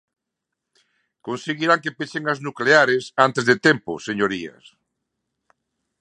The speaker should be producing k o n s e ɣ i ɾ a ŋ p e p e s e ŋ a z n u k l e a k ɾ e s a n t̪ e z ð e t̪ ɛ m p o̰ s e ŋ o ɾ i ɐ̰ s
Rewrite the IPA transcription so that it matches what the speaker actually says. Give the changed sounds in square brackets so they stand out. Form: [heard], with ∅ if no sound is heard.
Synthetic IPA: k o n s e ɣ i ɾ a ŋ [k] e p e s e ŋ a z n u k l e a [∅] ɾ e s a n t̪ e z ð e t̪ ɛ m p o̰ s e [ɲ] o ɾ i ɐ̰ s